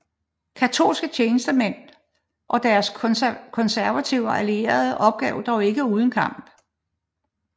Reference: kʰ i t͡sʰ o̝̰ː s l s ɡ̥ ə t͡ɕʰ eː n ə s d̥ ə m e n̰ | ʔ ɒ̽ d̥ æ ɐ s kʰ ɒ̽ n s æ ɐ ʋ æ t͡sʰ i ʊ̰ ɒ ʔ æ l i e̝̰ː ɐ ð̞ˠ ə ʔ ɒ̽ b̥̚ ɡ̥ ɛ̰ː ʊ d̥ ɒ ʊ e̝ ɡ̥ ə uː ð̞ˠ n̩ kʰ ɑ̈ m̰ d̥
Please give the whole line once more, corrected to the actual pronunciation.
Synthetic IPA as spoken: kʰ æ t͡sʰ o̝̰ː l s ɡ̥ ə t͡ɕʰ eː n ə s d̥ ə m e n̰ | ʔ ɒ̽ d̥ æ ɐ s kʰ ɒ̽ n s æ ɐ ʋ æ t͡sʰ i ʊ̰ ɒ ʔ æ l i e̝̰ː ɐ ð̞ˠ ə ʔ ɒ̽ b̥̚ ɡ̥ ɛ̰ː ʊ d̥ ɒ ʊ e̝ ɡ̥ ə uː ð̞ˠ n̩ kʰ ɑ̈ m̰ b̥